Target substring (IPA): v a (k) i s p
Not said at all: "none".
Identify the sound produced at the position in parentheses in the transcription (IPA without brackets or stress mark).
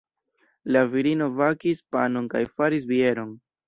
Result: k